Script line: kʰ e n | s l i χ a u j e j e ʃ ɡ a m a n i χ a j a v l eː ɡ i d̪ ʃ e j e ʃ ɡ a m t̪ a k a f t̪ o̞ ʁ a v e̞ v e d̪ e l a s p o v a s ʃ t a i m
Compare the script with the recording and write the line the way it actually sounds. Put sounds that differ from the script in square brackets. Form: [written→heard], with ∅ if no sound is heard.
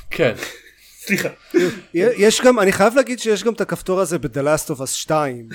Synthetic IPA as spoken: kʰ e n | s l i χ a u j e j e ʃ ɡ a m a n i χ a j a v l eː ɡ i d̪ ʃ e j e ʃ ɡ a m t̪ a k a f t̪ o̞ ʁ a [v→z] e̞ [v→b] e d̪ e l a s [p→t] o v a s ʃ t a i m